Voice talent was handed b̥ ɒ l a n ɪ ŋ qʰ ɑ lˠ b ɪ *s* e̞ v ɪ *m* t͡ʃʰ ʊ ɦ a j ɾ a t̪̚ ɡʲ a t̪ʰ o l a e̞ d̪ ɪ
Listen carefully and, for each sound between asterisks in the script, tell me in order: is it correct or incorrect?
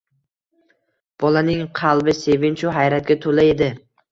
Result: correct, incorrect

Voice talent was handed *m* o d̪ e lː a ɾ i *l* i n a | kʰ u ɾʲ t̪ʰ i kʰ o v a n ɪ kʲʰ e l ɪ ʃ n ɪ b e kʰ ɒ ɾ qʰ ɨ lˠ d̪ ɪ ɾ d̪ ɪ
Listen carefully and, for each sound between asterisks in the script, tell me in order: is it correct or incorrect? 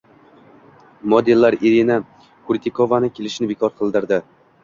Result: correct, incorrect

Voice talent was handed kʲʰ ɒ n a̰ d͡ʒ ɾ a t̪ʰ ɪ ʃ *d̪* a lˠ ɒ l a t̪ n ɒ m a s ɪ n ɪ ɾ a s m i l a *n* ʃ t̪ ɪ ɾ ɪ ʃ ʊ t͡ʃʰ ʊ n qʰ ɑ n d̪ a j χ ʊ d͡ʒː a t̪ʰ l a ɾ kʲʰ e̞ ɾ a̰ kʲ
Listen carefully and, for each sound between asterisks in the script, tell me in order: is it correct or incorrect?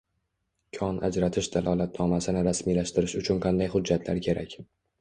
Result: correct, incorrect

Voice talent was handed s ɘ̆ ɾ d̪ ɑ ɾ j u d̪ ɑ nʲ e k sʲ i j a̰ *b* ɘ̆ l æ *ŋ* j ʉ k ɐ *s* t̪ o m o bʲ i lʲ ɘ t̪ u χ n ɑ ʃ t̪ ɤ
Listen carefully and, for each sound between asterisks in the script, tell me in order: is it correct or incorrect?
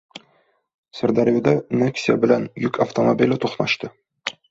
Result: correct, incorrect, incorrect

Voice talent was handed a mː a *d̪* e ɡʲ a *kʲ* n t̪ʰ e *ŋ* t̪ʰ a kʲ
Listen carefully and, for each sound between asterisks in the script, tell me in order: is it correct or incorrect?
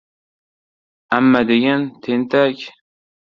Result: correct, incorrect, incorrect

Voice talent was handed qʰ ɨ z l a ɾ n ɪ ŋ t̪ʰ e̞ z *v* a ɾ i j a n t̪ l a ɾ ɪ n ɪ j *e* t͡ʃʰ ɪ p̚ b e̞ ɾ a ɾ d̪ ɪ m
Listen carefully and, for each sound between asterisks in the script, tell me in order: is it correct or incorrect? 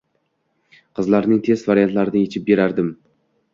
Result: correct, correct

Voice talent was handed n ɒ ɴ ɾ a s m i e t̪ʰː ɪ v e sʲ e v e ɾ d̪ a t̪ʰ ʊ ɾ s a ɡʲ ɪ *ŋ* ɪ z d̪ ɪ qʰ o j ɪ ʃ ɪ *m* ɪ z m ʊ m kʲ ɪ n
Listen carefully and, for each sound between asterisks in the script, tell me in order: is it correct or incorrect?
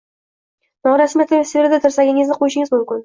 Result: correct, incorrect

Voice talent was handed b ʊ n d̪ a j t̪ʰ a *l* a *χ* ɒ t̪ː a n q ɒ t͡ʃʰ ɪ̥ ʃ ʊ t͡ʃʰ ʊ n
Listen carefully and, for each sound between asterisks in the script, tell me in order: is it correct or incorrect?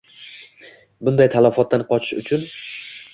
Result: correct, incorrect

